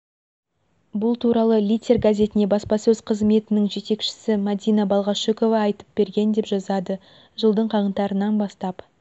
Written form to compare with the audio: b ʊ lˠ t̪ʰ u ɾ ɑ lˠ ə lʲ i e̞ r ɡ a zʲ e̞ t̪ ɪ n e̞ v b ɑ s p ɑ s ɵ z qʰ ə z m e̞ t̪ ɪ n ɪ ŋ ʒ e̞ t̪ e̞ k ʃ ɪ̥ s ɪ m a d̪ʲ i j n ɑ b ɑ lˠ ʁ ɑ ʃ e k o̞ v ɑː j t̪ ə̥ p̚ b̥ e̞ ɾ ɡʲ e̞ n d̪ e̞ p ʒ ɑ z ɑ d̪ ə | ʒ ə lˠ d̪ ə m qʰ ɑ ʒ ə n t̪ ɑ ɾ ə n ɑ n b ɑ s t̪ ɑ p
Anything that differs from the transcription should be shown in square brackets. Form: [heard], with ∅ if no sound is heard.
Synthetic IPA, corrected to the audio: b ʊ lˠ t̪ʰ u ɾ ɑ lˠ ə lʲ i e̞ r ɡ a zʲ e̞ t̪ ɪ n e̞ [∅] b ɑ s p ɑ s ɵ z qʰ ə z m e̞ t̪ ɪ n ɪ ŋ ʒ e̞ t̪ e̞ k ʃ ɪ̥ s ɪ m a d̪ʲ i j n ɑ b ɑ lˠ ʁ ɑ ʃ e k o̞ v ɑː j t̪ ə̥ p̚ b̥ e̞ ɾ ɡʲ e̞ n d̪ e̞ p ʒ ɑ z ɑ d̪ ə | ʒ ə lˠ d̪ ə [ɴ] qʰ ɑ [ʁ] ə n t̪ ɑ ɾ ə n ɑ n b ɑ s t̪ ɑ p